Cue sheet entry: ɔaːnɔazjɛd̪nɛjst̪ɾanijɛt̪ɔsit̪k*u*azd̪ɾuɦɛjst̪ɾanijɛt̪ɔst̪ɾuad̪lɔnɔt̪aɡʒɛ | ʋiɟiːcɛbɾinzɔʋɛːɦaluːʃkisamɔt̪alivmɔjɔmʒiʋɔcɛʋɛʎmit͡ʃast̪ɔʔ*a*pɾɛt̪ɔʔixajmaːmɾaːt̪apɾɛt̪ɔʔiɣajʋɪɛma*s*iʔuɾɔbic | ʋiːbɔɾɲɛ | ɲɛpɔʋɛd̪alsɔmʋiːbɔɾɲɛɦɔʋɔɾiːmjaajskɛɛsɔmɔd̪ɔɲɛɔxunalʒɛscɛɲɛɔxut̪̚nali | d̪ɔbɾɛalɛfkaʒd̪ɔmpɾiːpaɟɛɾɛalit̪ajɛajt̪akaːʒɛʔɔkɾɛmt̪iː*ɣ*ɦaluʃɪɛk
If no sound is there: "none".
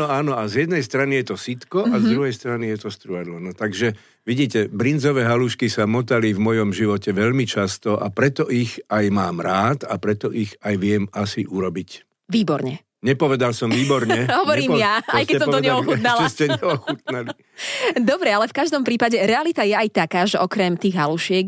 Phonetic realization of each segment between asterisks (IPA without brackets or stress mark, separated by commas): ɔ, a, s, ɣ